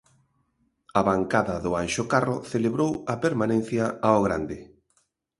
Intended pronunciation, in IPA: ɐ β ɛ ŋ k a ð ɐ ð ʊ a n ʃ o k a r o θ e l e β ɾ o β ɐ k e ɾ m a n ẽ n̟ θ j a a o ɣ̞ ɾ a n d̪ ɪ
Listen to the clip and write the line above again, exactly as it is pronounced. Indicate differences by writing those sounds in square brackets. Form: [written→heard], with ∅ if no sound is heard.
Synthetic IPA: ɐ β [ɛ→a] ŋ k a ð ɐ ð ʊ a n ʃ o k a r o θ e l e β ɾ o [β→w] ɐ [k→p] e ɾ m a n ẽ n̟ θ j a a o ɣ̞ ɾ a n d̪ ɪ